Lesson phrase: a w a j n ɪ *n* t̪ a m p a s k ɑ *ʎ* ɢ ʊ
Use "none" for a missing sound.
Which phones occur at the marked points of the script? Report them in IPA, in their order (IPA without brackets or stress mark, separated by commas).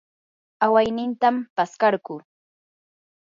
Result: n, ɾ